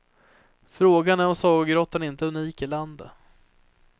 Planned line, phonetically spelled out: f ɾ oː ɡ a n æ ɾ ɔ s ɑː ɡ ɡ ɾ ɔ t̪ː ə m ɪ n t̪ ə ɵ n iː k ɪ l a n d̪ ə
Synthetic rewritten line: f ɾ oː ɡ a n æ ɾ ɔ s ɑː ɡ ɡ ɾ ɔ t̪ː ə n ɪ n t̪ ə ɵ n iː k ɪ l a n d̪ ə